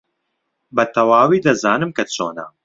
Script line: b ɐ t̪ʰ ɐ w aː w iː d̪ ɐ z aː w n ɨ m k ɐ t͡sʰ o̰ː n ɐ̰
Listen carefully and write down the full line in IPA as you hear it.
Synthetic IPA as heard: b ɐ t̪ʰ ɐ w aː w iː d̪ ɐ z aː n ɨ m k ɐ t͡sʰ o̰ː n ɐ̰